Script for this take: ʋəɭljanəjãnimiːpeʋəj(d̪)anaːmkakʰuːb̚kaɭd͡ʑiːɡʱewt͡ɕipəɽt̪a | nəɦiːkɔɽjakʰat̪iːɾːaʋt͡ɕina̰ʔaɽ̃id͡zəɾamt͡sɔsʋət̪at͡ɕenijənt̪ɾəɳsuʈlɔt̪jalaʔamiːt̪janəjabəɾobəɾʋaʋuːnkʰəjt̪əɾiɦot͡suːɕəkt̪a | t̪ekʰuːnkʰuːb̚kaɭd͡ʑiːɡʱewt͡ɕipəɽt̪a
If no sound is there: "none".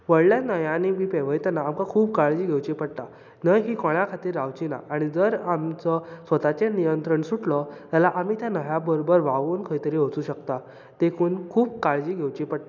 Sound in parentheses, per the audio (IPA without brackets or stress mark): t̪